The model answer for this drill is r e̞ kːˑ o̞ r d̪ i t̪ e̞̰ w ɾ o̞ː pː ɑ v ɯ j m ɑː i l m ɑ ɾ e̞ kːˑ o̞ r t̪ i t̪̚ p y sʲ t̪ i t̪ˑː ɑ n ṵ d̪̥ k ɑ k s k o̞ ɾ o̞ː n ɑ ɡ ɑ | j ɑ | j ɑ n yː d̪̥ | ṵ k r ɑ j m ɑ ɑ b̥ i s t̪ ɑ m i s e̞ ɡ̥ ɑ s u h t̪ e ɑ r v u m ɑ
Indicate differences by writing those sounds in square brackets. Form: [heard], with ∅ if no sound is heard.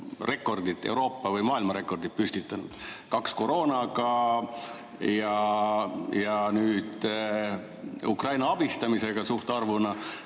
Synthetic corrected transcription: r e̞ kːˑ o̞ r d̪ i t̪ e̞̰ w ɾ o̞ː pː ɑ v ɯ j m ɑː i l m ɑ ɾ e̞ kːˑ o̞ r [d̪] i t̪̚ p y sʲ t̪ i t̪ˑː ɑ n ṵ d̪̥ k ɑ k s k o̞ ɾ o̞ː n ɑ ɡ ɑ | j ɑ | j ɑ n yː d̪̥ | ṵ k r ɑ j [n] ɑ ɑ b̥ i s t̪ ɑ m i s e̞ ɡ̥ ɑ s u h t̪ e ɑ r v u [n] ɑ

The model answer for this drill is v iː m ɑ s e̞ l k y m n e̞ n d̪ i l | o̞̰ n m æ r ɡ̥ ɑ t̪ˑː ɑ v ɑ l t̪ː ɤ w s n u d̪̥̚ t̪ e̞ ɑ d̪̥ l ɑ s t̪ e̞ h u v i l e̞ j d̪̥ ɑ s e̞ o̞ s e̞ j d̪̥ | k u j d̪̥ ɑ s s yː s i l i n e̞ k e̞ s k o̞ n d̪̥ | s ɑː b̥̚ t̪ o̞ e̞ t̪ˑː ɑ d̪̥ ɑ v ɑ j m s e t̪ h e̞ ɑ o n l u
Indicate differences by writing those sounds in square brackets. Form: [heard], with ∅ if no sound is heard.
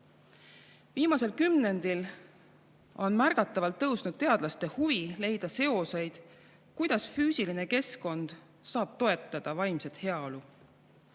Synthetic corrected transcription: v iː m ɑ s e̞ l k y m n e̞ n d̪ i l | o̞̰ n m æ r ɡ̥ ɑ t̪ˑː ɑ v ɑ l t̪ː ɤ w s n u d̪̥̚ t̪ e̞ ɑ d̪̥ l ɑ s t̪ e̞ h u v i l e̞ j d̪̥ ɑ s e̞ o̞ s e̞ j d̪̥ | k u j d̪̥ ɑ s [f] yː s i l i n e̞ k e̞ s k o̞ n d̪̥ | s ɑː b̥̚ t̪ o̞ e̞ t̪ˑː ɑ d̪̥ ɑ v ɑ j m s e t̪ h e̞ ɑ o [∅] l u

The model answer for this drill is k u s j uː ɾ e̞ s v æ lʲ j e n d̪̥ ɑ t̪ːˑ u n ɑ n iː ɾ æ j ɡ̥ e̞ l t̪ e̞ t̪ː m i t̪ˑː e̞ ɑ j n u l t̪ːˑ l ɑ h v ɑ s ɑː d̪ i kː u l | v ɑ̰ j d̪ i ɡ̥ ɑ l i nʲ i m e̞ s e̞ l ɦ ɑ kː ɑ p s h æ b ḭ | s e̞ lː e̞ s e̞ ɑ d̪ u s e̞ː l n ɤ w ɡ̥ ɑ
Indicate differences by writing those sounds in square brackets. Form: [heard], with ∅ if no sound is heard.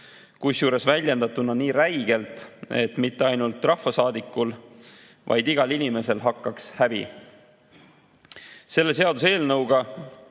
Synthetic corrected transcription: k u s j uː ɾ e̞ s v æ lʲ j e n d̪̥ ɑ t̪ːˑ u n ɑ n iː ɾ æ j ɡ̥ e̞ l t̪ e̞ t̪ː m i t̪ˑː e̞ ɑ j n u l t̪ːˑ [r] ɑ h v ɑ s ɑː d̪ i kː u l | v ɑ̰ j d̪ i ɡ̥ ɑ l i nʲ i m e̞ s e̞ l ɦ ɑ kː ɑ [k] s h æ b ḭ | s e̞ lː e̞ s e̞ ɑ d̪ u s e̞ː l n ɤ w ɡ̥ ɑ

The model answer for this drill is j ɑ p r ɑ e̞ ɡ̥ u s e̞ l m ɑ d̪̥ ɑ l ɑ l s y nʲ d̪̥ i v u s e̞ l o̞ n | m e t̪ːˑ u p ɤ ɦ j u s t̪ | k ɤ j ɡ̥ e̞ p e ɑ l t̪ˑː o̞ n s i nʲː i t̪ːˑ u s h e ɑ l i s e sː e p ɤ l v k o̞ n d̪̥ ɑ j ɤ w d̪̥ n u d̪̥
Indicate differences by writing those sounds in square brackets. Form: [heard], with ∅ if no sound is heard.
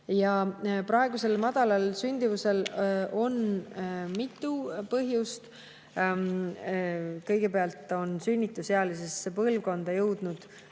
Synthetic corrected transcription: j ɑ p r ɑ e̞ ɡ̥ u s e̞ l m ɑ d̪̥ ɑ l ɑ l s y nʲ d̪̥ i v u s e̞ l o̞ n | m [i] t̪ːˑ u p ɤ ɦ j u s t̪ | k ɤ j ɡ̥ e̞ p e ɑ l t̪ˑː o̞ n s [y] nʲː i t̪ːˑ u s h e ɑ l i s e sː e p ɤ l v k o̞ n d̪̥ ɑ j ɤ w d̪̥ n u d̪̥

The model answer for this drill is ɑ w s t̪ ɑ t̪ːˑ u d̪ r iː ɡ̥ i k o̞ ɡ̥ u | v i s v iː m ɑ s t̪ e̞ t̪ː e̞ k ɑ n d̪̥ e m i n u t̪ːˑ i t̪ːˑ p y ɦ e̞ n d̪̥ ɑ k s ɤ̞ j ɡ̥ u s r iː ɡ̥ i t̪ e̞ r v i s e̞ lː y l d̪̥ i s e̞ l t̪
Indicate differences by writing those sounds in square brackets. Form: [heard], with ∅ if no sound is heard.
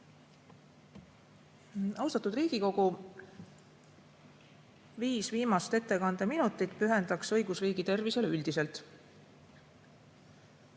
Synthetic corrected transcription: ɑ w s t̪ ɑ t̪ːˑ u d̪ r iː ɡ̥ i k o̞ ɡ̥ u | v [iː] s v iː m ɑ s t̪ e̞ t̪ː e̞ k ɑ n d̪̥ e m i n u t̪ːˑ i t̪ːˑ p y ɦ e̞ n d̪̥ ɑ k s ɤ̞ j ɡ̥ u s r iː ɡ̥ i t̪ e̞ r v i s e̞ [l] y l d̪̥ i s e̞ l t̪

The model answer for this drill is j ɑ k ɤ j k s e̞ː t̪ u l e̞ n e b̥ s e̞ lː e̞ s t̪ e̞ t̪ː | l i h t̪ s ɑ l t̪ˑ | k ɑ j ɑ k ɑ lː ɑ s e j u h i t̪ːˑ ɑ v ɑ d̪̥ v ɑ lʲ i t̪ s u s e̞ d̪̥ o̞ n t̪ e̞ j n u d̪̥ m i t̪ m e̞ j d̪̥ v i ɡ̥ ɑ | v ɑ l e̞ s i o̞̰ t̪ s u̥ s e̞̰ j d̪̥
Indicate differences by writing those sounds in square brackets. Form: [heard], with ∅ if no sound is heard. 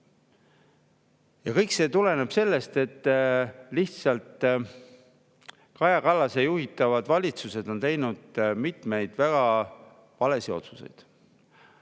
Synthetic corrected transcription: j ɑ k ɤ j k s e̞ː t̪ u l e̞ n e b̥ s e̞ lː e̞ s t̪ e̞ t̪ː | l i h t̪ s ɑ l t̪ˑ | k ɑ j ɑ k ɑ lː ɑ s e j u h i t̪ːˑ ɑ v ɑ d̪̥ v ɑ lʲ i t̪ s u s e̞ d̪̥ o̞ n t̪ e̞ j n u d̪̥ m i t̪ m e̞ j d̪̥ v [æ] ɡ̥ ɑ | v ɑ l e̞ s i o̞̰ t̪ s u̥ s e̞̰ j d̪̥

